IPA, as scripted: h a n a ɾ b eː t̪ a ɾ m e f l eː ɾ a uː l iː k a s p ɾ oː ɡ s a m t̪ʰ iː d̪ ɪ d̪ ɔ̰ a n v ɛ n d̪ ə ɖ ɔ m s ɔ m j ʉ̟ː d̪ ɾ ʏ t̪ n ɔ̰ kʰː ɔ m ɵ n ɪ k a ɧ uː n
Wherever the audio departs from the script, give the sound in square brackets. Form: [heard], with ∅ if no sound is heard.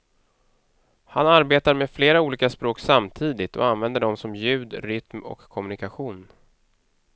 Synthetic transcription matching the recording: h a n a ɾ b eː t̪ a ɾ m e f l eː ɾ a uː l iː k a s p ɾ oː [k] s a m t̪ʰ iː d̪ ɪ [t̪] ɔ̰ a n v ɛ n d̪ ə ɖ ɔ m s ɔ m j ʉ̟ː d̪ ɾ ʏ t̪ [m] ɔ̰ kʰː ɔ m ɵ n ɪ k a ɧ uː n